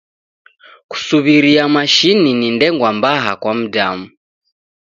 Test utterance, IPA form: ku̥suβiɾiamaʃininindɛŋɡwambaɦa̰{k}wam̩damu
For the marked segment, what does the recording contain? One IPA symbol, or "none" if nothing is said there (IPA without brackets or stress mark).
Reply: k